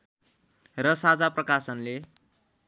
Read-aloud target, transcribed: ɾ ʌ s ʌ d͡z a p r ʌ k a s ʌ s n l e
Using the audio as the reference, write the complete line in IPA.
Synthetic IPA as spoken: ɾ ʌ s a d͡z a p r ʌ k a s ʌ n l e